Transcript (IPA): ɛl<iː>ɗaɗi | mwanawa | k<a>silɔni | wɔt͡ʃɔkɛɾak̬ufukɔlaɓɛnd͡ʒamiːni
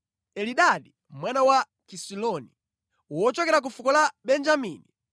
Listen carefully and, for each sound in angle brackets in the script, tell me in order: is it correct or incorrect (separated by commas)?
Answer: incorrect, incorrect